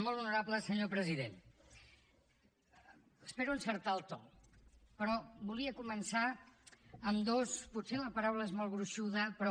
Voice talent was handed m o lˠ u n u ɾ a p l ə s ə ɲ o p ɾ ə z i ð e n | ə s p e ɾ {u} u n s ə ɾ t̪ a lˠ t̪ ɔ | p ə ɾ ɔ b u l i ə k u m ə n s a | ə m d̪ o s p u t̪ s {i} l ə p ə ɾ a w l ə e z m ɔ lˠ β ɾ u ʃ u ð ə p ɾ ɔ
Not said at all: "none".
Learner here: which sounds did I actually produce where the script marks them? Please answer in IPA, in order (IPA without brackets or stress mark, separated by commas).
u, e